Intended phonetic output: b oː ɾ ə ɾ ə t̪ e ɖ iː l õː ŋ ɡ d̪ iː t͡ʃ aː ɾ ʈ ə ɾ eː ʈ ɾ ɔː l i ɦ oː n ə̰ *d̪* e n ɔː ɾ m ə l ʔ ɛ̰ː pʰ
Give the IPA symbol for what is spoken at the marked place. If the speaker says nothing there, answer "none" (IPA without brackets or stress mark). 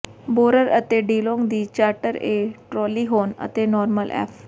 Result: t̪